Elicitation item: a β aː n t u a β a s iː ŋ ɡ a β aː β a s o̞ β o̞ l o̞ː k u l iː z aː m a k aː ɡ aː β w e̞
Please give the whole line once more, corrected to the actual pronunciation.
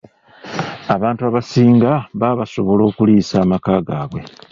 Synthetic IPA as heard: a β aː n t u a β a s iː ŋ ɡ a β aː β a s o̞ β o̞ l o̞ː k u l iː s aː m a k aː ɡ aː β w e̞